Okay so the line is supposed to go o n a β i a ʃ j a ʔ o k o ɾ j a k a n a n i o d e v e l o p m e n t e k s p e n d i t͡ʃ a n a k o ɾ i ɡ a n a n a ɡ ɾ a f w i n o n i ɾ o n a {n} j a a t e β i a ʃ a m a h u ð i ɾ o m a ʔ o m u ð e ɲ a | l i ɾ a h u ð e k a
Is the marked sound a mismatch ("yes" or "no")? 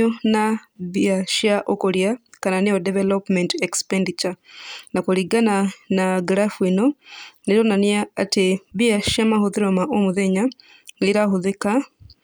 no